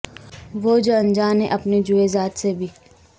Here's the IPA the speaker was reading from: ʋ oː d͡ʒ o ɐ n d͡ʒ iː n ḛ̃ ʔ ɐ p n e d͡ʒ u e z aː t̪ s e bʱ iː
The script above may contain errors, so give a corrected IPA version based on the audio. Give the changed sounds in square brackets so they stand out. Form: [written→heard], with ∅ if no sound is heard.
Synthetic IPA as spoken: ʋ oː d͡ʒ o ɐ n d͡ʒ [iː→aː] n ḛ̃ ʔ ɐ p n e d͡ʒ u e z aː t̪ s e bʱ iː